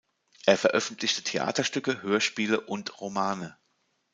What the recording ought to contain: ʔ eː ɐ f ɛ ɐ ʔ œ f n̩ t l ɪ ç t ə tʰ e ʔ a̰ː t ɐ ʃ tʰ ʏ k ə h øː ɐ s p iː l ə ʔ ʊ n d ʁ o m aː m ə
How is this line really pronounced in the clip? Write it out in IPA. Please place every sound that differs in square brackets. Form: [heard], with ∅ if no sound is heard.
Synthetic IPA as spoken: ʔ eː ɐ f ɛ ɐ ʔ œ f n̩ t l ɪ ç t ə tʰ e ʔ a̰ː t ɐ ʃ [t] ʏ k ə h øː ɐ [ʃ] p iː l ə ʔ ʊ n [t] ʁ o m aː [n] ə